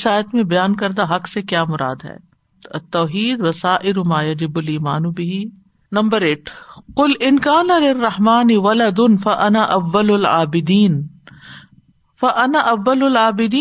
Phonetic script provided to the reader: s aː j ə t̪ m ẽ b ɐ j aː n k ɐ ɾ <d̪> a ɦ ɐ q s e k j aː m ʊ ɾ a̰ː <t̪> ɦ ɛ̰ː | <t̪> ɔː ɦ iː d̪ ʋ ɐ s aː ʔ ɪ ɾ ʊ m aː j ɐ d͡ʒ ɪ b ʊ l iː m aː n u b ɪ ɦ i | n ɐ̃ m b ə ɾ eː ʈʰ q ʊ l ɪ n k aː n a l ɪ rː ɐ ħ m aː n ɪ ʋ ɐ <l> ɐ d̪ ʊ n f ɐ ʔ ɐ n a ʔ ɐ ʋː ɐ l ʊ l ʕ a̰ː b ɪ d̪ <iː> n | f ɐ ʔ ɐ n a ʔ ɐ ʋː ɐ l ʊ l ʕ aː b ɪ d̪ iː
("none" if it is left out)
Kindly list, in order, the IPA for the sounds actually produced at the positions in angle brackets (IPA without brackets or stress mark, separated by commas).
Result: d̪, d̪, t̪, l, iː